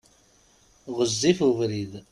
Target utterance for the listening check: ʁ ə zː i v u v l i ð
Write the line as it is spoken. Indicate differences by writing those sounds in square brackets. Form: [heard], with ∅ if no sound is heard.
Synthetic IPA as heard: ʁ ə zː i [f] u v [ɾ] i ð